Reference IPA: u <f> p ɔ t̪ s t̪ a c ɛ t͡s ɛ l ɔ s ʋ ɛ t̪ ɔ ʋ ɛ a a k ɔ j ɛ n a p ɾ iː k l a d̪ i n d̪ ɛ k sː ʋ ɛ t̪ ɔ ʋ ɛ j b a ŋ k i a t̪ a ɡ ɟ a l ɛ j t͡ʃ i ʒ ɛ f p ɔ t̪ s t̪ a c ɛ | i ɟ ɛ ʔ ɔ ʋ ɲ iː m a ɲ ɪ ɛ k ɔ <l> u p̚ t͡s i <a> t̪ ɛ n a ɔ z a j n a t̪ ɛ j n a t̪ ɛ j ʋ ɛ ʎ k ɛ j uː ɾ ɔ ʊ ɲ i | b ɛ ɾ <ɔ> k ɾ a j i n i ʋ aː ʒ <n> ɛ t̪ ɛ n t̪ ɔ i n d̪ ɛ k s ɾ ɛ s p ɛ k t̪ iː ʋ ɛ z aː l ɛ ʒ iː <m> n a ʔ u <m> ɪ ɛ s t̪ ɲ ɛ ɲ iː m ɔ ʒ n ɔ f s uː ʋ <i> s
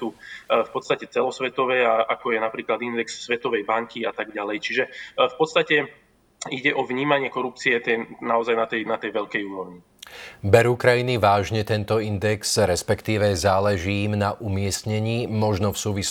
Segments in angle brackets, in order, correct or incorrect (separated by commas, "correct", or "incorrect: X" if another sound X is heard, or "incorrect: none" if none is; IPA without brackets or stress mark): correct, incorrect: ɾ, incorrect: ɛ, incorrect: u, incorrect: ɲ, correct, correct, correct